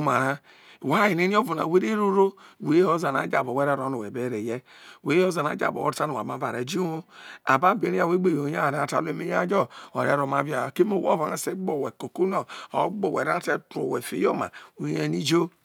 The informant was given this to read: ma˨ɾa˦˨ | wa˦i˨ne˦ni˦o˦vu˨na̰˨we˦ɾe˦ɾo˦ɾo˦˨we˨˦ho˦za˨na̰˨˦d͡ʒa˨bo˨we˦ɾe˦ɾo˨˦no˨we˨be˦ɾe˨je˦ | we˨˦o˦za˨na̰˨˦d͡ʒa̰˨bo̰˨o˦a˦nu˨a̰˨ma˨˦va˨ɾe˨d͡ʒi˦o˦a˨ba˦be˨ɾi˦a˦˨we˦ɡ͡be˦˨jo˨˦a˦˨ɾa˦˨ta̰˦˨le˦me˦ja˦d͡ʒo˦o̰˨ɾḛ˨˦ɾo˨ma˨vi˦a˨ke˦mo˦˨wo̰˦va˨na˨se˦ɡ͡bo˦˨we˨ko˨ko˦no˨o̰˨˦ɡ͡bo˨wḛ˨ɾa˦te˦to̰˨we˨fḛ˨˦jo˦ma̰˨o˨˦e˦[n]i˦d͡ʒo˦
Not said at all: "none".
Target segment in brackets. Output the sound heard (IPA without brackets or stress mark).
n